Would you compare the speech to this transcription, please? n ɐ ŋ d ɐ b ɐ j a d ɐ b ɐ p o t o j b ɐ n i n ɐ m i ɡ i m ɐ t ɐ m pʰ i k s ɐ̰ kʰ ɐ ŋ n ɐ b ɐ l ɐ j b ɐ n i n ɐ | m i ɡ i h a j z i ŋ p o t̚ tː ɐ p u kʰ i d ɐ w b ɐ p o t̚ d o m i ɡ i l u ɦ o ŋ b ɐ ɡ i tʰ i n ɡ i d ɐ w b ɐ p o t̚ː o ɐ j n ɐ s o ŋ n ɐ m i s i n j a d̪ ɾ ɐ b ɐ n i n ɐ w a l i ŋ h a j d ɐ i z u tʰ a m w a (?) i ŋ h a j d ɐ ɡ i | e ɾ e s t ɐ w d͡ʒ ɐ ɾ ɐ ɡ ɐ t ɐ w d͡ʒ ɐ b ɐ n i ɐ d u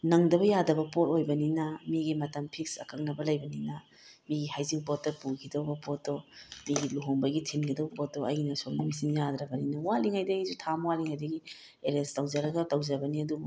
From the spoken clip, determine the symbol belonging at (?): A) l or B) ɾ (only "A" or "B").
A